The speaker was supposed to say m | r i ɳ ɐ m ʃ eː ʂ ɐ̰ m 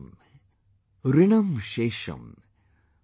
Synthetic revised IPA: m | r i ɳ ɐ m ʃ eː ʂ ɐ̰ m

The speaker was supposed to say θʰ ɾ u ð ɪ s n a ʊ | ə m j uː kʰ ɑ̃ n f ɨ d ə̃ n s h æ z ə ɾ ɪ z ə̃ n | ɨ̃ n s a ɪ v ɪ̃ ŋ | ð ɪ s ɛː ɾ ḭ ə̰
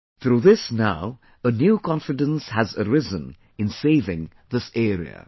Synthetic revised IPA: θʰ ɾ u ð ɪ s n a ʊ | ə n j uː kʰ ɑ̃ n f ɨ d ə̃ n s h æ z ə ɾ ɪ z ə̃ n | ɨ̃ n s e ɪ v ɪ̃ ŋ | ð ɪ s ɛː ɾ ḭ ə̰

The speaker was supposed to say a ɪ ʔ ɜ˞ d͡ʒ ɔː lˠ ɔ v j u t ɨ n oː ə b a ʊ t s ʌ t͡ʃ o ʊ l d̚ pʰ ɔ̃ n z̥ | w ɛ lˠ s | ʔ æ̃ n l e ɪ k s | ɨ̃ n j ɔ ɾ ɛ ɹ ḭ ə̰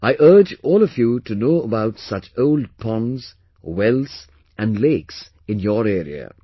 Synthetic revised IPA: a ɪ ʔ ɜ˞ d͡ʒ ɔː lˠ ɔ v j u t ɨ n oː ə b a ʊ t s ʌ t͡ʃ o ʊ l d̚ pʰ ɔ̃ n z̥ | w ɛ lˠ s | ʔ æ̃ n l e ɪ k s | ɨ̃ n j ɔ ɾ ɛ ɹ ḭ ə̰

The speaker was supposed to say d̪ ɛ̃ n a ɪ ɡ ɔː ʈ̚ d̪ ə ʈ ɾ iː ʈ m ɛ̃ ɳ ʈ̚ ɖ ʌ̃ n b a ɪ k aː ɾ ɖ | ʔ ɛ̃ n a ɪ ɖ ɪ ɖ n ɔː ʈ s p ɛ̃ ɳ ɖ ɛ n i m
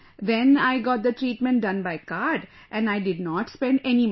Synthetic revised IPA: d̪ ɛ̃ n a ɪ ɡ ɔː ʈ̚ d̪ ə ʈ ɾ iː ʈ m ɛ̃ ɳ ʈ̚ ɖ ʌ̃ n b a ɪ k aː ɾ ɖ | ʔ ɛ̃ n a ɪ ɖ ɪ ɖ n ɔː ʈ s p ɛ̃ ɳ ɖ ɛ n i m

